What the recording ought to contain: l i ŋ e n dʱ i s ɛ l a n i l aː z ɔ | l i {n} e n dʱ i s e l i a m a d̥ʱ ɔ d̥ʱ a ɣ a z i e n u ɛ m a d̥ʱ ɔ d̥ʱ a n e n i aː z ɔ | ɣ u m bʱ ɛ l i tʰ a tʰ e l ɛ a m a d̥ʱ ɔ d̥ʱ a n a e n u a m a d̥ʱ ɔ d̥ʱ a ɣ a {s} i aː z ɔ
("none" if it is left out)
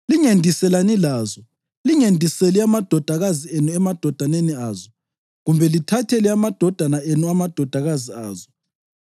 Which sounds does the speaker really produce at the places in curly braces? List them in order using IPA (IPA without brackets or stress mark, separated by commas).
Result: ŋ, z